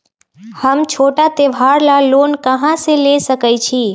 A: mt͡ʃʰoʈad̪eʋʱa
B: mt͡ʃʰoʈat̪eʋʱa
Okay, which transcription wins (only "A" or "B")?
B